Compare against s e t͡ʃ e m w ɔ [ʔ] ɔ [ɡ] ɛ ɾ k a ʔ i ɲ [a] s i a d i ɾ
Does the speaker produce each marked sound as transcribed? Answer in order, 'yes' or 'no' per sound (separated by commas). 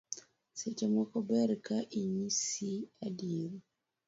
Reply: no, no, no